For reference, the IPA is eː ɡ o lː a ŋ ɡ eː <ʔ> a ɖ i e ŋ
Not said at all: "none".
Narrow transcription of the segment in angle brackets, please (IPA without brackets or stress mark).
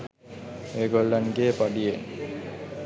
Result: p